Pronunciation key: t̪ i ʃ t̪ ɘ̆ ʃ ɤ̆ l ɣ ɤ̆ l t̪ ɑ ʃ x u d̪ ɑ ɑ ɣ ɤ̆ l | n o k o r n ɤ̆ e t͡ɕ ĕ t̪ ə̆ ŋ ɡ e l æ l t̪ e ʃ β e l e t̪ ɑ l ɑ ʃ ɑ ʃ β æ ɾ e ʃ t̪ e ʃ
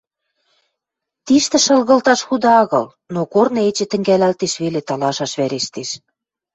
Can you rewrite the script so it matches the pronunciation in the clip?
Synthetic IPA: t̪ i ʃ t̪ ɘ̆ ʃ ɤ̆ l ɣ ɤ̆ l t̪ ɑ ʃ x u d̪ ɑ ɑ ɣ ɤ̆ l | n o k o r n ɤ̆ e t͡ɕ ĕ t̪ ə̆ ŋ ɡ æ l æ l t̪ e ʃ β e l e t̪ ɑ l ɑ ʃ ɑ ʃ β æ ɾ e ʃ t̪ e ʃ